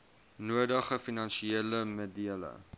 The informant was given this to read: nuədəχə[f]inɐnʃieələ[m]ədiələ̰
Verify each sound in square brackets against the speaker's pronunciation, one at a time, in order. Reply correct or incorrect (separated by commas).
correct, correct